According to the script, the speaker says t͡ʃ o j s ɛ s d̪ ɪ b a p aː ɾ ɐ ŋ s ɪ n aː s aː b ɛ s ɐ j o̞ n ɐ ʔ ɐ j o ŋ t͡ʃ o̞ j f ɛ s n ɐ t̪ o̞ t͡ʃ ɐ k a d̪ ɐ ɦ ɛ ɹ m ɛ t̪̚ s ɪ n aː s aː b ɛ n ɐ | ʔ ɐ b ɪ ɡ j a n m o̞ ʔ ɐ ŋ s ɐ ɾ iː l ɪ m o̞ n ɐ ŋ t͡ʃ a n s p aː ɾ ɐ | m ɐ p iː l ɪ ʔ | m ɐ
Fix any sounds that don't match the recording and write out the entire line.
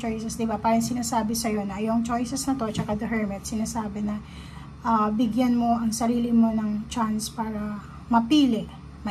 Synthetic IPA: t͡ʃ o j s ɛ s d̪ ɪ b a p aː ɾ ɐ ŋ s ɪ n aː s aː b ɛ s ɐ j o̞ n ɐ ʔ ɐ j o ŋ t͡ʃ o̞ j s ɛ s n ɐ t̪ o̞ t͡ʃ ɐ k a d̪ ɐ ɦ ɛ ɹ m ɛ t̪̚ s ɪ n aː s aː b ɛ n ɐ | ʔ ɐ b ɪ ɡ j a n m o̞ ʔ ɐ ŋ s ɐ ɾ iː l ɪ m o̞ n ɐ ŋ t͡ʃ a n s p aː ɾ ɐ | m ɐ p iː l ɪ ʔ | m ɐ